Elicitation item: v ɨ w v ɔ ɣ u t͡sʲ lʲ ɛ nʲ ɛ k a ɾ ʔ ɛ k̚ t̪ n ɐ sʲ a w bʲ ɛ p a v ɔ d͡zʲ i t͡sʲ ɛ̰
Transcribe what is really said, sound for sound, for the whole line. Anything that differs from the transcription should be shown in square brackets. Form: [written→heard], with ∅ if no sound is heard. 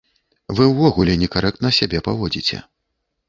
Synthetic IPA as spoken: v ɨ w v ɔ ɣ u [t͡sʲ→∅] lʲ ɛ nʲ ɛ k a ɾ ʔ ɛ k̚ t̪ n ɐ sʲ a [w→∅] bʲ ɛ p a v ɔ d͡zʲ i t͡sʲ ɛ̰